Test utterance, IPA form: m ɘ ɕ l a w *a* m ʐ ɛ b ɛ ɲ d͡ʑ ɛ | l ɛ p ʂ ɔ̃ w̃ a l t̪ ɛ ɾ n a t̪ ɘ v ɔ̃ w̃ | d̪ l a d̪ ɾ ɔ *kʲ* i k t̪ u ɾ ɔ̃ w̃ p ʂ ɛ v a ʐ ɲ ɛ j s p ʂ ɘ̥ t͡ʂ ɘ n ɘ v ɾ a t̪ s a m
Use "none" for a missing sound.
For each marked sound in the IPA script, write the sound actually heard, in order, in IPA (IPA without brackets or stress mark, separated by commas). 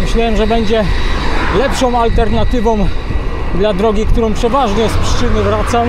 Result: ɛ, ɡʲ